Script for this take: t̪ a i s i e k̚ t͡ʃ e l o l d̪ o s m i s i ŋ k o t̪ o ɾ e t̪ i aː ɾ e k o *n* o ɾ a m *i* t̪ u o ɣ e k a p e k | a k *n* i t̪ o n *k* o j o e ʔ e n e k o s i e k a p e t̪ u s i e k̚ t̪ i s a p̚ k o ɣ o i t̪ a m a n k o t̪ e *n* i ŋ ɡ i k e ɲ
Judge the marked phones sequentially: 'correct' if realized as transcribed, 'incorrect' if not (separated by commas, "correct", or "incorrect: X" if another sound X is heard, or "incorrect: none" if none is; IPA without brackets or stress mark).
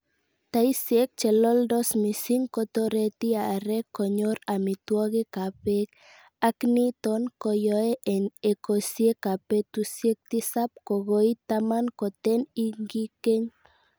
incorrect: ɲ, correct, correct, correct, correct